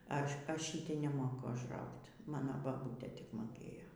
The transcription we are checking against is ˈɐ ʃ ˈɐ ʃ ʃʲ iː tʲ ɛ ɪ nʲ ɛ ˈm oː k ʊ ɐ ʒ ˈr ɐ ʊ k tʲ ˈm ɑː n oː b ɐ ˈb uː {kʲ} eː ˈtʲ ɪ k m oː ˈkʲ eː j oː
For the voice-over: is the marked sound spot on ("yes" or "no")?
no